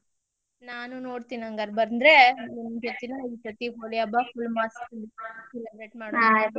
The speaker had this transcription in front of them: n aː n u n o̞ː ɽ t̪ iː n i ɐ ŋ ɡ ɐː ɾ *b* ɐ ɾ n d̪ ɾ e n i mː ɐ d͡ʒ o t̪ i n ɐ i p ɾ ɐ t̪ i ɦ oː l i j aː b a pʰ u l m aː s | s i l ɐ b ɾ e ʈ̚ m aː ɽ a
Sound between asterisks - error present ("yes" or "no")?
no